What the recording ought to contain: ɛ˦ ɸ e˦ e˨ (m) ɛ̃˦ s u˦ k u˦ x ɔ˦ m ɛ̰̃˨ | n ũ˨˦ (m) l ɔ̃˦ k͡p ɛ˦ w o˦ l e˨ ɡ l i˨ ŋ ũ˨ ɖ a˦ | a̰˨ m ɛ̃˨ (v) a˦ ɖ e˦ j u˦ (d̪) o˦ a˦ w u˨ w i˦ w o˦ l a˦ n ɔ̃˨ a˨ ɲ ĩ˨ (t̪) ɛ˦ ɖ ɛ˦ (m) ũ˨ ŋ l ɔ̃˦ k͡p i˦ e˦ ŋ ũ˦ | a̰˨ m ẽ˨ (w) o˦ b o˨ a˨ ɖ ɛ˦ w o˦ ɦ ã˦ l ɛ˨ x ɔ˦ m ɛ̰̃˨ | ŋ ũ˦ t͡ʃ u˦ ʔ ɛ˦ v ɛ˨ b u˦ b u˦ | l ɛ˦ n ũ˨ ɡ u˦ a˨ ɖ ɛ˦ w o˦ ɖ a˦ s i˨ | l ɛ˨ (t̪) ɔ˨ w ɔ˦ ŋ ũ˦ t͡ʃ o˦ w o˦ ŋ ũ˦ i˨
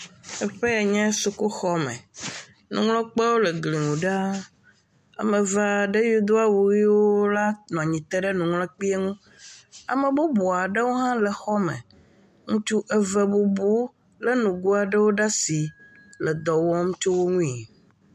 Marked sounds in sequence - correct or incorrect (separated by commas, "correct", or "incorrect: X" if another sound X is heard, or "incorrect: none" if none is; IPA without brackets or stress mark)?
incorrect: ɲ, incorrect: ŋ, correct, correct, correct, incorrect: n, incorrect: b, incorrect: d̪